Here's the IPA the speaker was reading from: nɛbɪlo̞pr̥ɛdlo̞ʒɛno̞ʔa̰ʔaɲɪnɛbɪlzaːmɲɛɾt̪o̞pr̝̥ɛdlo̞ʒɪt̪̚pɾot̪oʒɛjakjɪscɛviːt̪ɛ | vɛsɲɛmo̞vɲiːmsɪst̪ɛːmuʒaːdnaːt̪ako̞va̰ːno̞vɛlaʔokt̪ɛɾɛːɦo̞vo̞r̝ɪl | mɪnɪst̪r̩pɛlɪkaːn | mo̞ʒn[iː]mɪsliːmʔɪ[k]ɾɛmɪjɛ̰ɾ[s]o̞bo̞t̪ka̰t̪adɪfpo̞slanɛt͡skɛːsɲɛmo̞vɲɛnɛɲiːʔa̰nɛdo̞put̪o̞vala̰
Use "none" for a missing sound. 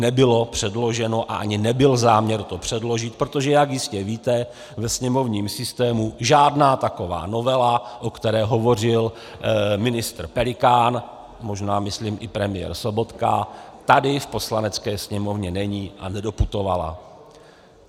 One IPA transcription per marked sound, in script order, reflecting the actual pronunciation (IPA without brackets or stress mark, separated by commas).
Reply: aː, p, s